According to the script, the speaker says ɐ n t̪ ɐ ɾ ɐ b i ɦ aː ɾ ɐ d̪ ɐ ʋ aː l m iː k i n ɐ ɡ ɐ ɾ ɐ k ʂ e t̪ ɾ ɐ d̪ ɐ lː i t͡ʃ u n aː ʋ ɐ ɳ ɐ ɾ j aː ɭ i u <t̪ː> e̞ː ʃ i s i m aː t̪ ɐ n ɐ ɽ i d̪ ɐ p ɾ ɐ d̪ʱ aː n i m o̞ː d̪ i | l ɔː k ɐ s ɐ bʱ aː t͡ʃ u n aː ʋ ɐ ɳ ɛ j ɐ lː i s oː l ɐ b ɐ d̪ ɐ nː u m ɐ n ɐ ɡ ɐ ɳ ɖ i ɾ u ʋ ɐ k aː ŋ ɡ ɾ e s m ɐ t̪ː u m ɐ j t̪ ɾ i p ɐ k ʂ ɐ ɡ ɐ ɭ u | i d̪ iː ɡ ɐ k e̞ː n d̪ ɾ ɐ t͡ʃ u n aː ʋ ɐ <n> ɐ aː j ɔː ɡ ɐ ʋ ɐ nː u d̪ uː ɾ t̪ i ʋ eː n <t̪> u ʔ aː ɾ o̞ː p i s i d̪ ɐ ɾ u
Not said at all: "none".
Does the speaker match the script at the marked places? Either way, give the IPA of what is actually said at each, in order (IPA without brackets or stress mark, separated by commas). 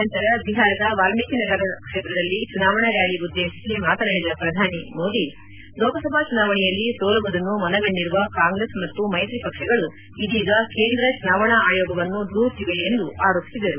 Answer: d̪ː, ɳ, d̪